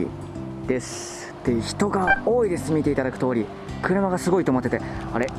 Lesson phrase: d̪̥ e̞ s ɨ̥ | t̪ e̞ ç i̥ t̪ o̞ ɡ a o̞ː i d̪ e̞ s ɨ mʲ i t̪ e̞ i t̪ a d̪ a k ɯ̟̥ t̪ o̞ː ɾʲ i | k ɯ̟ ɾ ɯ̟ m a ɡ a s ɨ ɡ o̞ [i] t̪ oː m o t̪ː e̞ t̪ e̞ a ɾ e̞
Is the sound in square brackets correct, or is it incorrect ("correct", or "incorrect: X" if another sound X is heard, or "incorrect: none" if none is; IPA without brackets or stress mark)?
correct